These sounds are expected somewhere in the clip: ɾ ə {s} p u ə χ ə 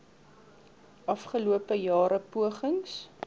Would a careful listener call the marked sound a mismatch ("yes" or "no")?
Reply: yes